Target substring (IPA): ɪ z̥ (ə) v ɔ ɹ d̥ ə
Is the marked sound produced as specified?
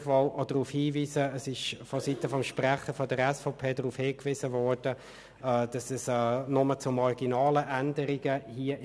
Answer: yes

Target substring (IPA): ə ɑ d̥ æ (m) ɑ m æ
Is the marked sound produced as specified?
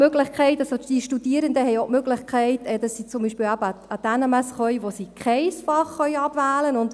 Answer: no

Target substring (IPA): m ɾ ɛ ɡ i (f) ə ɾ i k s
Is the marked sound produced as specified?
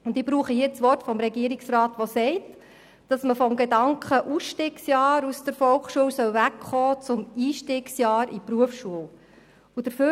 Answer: no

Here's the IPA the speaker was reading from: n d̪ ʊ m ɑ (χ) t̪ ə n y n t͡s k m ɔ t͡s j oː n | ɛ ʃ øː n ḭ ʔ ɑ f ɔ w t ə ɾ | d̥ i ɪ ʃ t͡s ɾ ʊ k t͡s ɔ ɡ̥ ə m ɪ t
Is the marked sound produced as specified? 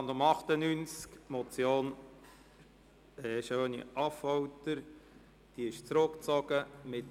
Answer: yes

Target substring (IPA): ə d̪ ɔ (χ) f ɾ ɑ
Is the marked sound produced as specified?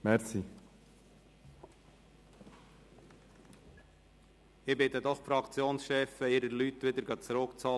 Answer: yes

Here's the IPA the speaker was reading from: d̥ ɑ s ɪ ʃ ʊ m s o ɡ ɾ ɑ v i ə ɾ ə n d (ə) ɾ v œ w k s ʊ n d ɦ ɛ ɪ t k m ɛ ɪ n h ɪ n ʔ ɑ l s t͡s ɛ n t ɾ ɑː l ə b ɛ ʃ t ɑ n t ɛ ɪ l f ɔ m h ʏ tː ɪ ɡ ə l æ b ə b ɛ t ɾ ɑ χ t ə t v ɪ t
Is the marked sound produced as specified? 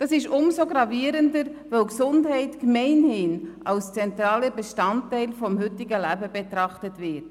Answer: yes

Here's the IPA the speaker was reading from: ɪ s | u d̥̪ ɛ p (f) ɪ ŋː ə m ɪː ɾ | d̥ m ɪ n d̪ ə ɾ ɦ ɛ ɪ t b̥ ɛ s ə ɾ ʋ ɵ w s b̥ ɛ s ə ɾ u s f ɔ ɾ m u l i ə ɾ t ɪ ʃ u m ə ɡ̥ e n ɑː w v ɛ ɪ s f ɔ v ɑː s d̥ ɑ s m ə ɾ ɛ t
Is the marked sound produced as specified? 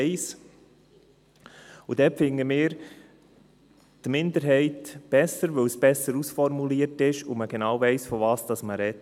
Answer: yes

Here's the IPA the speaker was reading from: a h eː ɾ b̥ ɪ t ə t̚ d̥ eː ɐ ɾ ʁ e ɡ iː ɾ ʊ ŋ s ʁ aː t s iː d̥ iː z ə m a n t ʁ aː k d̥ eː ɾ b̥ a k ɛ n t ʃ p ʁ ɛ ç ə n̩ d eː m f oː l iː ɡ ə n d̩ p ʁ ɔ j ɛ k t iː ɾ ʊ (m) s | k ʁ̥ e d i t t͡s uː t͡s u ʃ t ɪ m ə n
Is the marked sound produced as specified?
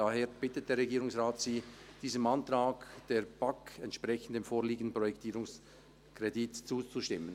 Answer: no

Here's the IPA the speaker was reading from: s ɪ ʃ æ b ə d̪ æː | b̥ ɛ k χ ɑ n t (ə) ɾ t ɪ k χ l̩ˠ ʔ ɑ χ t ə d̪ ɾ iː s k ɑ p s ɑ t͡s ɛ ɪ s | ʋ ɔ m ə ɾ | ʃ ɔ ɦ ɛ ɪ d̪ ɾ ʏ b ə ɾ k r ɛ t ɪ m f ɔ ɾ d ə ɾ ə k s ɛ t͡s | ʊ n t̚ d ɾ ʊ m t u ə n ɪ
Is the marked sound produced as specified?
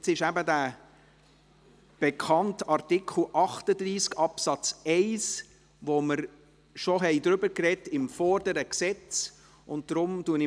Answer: no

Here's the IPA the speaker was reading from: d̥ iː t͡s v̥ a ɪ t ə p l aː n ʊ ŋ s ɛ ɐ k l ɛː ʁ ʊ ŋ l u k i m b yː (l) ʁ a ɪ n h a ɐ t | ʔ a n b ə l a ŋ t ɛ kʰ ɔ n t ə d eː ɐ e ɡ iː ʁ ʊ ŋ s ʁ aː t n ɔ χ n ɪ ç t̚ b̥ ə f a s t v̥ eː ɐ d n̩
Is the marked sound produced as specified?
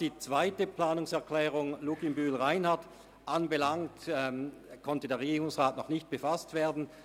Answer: yes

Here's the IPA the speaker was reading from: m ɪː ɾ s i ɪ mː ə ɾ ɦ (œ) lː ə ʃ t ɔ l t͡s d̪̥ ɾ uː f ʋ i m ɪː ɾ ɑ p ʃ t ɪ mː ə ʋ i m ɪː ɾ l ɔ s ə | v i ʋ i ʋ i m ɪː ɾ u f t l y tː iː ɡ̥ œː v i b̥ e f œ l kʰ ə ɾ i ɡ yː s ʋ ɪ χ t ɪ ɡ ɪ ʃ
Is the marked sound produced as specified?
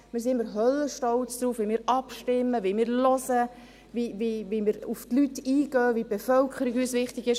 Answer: yes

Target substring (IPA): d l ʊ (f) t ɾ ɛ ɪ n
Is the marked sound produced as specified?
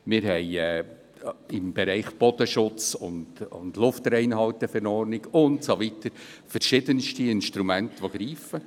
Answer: yes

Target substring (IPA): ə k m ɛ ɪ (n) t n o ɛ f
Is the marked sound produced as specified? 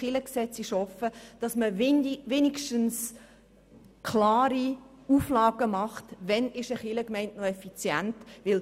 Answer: yes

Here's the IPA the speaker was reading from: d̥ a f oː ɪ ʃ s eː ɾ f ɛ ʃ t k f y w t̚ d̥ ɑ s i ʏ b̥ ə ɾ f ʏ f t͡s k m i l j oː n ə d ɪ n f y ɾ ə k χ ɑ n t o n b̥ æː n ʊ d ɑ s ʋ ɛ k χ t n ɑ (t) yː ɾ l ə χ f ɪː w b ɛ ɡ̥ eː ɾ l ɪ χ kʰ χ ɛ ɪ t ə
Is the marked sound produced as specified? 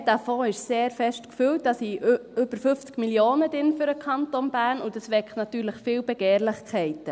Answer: yes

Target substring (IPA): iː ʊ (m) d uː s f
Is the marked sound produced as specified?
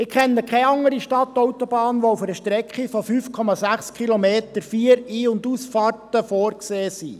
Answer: no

